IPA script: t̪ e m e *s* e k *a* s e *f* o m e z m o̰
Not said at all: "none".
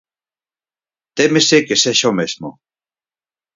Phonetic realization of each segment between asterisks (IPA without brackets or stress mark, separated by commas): s, e, ʃ